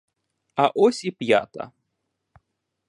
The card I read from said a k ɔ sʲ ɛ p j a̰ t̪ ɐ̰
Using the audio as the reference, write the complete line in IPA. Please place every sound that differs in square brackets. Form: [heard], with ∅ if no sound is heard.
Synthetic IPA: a [ʔ] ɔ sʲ [i] p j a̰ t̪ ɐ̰